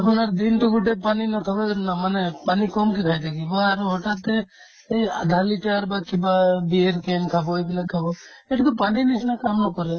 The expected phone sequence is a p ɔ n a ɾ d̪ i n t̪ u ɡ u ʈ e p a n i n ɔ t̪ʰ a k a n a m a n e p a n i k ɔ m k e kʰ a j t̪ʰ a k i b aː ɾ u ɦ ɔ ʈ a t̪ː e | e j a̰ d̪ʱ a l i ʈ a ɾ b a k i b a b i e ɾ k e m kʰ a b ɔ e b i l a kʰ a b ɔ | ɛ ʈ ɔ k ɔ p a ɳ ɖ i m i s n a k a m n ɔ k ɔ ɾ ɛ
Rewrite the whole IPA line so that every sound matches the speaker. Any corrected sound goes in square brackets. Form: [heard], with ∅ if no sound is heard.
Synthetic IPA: a p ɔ n a ɾ d̪ i n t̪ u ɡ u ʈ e p a n i n ɔ t̪ʰ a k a n a m a n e p a n i k ɔ m k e kʰ a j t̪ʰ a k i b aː ɾ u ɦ ɔ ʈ a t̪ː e | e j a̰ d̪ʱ a l i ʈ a ɾ b a k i b a b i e ɾ k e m kʰ a b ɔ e b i l a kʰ a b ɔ | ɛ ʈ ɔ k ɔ p a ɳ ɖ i [n] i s n a k a m n ɔ k ɔ ɾ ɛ